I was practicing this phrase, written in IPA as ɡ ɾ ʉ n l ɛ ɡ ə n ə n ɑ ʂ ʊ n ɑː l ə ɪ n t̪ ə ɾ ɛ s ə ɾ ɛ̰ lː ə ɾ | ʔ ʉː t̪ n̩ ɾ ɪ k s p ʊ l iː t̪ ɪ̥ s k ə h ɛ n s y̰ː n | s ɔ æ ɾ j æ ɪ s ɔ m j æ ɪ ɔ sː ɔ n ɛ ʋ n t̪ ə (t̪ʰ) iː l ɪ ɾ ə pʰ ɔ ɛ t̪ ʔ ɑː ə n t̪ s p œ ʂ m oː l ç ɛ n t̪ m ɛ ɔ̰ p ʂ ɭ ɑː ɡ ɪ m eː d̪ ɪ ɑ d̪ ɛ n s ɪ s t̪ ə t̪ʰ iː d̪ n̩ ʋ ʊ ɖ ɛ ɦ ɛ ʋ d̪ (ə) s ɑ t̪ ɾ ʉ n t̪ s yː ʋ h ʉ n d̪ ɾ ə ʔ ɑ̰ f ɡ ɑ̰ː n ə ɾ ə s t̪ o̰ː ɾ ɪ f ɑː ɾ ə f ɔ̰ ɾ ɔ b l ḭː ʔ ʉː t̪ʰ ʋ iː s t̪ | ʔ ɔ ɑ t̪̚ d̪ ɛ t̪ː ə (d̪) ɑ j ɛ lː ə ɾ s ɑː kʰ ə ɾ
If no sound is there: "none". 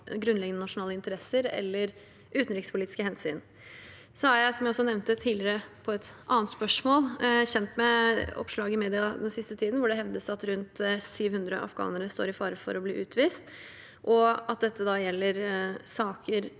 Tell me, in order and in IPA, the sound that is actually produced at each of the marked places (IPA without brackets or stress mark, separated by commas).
t̪ʰ, ə, d̪